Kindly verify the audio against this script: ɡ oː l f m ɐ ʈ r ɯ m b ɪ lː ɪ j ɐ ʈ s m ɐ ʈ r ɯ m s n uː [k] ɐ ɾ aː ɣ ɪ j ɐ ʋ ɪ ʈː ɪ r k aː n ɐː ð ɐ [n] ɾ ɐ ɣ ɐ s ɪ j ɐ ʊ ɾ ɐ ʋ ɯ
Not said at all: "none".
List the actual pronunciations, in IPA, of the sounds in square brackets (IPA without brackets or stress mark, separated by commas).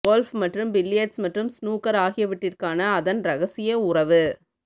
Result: k, n